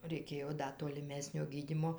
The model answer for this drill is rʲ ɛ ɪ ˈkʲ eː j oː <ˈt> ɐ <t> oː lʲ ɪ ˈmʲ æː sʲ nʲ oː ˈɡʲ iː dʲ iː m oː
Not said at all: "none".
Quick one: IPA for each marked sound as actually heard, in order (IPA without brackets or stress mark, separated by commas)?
d, t